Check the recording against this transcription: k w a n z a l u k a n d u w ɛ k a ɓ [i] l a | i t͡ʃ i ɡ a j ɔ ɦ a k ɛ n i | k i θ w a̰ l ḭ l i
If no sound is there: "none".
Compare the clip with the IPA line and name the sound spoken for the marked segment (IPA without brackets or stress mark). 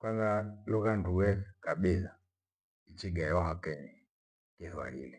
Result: i